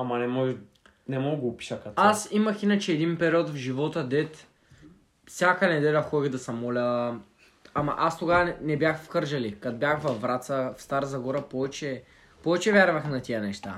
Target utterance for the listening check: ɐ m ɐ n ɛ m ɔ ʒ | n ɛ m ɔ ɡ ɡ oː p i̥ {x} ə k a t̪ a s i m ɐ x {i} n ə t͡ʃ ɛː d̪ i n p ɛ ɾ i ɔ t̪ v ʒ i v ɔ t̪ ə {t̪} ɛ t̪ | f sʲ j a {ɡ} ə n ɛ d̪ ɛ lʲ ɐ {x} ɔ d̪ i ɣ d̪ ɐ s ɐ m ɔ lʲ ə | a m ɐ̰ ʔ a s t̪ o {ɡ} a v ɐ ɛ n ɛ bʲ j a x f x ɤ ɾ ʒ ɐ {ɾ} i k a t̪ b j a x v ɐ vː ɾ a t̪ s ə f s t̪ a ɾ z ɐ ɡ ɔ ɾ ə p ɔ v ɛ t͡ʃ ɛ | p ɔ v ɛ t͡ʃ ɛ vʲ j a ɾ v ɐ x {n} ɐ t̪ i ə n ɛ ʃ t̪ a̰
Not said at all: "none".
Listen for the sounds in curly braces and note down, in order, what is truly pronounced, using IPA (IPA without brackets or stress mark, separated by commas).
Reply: ʃ, i, d̪, k, x, ɡ, l, n